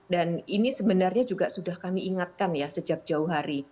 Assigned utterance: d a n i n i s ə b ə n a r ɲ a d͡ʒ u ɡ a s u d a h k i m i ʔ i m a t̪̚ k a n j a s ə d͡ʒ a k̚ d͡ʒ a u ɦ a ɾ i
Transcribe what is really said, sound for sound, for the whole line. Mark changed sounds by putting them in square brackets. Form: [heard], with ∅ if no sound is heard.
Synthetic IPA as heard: d a n i n i s ə b ə n a r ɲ a d͡ʒ u ɡ a s u d a h k [a] m i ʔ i [ŋ] a t̪̚ k a n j a s ə d͡ʒ a k̚ d͡ʒ a u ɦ a ɾ i